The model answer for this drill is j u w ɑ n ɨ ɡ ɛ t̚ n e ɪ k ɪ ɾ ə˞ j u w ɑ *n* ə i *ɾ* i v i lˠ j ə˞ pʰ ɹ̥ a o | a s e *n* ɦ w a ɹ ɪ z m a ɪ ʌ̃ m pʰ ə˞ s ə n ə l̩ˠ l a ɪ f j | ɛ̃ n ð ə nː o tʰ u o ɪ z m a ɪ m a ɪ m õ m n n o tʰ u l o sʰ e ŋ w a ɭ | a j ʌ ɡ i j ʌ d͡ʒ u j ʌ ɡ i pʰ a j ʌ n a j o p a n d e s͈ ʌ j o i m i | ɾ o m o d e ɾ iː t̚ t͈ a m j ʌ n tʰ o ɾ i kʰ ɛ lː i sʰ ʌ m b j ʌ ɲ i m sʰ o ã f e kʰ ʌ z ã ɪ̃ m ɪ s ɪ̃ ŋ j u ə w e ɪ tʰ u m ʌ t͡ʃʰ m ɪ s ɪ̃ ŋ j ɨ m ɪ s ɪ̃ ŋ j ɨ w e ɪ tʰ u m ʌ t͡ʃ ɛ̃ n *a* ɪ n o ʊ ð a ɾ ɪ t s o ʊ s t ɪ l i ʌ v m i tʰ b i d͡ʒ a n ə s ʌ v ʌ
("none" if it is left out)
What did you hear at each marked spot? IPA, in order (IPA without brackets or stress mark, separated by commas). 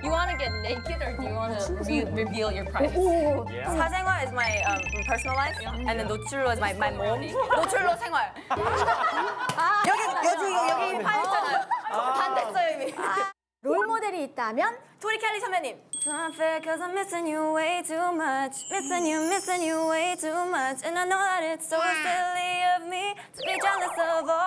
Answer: n, ɹ, ŋ, a